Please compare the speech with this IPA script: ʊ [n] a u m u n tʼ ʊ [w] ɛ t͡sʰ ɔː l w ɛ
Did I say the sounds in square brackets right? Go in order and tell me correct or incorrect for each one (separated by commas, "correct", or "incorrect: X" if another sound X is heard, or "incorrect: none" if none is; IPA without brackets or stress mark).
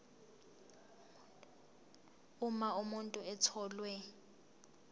incorrect: m, incorrect: none